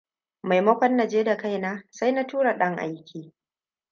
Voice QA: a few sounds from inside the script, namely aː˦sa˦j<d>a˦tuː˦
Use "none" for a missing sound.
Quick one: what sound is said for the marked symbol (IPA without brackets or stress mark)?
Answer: n